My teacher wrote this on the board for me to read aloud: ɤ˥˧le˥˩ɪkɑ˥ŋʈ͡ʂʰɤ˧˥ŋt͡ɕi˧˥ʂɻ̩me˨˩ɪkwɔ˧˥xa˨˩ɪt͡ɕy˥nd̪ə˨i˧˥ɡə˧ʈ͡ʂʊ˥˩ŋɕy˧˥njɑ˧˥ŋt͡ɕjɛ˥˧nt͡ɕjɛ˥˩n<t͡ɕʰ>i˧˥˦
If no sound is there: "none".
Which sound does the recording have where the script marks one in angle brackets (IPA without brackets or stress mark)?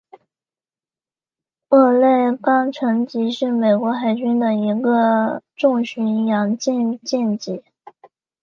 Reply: t͡ɕ